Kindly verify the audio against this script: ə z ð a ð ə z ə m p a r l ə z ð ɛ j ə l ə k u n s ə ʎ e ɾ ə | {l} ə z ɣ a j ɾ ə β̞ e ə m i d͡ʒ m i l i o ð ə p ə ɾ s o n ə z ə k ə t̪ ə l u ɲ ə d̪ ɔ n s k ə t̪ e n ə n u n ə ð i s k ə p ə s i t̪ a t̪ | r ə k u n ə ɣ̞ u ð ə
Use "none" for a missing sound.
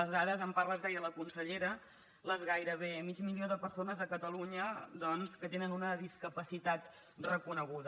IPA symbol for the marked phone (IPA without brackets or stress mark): l